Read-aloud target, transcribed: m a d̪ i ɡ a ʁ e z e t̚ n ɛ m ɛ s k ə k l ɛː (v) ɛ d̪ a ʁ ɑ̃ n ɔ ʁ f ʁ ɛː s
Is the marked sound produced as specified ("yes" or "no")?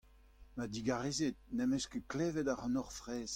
yes